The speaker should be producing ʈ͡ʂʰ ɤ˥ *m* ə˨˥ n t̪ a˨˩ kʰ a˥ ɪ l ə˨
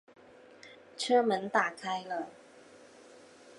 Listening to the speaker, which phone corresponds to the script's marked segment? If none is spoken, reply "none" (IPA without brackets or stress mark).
m